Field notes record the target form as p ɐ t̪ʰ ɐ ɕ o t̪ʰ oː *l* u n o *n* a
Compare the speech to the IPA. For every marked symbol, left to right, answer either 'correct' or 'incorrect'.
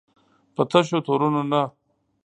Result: incorrect, correct

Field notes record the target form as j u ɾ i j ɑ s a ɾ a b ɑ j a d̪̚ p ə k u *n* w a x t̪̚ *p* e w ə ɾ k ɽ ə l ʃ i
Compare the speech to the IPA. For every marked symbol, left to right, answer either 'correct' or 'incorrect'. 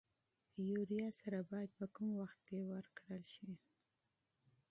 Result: incorrect, incorrect

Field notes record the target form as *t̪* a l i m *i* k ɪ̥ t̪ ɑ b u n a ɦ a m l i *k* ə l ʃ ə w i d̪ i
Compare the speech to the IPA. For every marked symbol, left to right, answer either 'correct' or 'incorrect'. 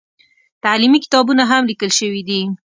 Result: correct, correct, correct

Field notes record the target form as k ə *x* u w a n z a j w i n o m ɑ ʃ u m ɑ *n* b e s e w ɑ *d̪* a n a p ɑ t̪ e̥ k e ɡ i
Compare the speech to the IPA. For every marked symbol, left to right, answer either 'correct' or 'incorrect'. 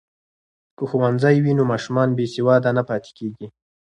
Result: correct, correct, correct

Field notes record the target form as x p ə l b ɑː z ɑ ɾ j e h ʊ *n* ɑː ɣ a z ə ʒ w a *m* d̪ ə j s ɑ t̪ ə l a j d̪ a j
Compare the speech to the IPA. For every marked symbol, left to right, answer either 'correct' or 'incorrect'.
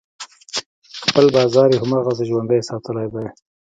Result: incorrect, incorrect

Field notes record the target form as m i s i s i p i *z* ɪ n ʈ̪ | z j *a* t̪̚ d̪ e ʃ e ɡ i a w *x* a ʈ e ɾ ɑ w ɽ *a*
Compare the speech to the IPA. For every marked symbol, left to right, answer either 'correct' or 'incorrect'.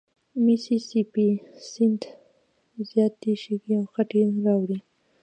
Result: incorrect, incorrect, correct, incorrect

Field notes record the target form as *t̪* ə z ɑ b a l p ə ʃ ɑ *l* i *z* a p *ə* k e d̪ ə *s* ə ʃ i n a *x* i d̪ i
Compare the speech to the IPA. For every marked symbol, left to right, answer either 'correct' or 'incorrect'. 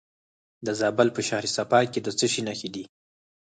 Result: incorrect, incorrect, incorrect, incorrect, incorrect, correct

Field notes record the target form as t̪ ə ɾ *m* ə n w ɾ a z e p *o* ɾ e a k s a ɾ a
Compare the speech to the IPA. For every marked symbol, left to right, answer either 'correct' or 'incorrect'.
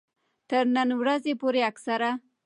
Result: incorrect, correct

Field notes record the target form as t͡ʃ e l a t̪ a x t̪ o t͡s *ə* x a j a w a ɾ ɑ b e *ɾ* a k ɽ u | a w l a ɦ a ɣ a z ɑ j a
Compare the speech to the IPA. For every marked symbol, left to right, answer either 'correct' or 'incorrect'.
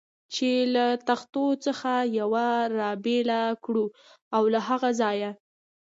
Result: correct, incorrect

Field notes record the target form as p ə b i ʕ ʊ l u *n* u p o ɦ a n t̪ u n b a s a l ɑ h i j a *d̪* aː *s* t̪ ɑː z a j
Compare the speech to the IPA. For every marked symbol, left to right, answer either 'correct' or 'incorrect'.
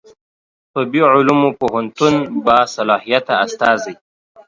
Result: incorrect, incorrect, correct

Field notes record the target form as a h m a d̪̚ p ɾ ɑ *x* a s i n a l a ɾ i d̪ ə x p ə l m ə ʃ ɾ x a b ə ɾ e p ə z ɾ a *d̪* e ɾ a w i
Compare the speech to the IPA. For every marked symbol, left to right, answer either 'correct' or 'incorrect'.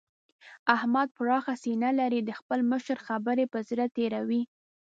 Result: correct, incorrect

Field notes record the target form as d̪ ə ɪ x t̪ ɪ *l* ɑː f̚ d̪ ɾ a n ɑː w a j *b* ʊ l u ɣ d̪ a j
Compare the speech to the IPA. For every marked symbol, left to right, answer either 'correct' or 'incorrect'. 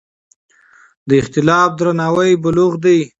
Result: correct, correct

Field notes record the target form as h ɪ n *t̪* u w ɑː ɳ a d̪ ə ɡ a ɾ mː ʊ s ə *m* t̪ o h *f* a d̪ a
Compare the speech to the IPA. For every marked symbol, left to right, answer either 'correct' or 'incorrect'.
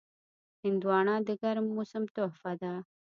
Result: incorrect, correct, correct

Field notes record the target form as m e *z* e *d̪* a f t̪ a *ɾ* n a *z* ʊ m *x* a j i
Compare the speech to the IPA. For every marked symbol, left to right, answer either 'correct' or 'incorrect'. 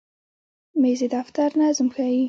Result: correct, correct, correct, correct, correct

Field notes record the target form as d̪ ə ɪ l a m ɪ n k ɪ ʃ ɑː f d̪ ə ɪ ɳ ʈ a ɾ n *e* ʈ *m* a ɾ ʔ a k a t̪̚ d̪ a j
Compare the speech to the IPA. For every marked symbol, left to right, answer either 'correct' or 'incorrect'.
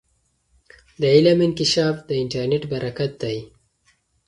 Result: correct, incorrect

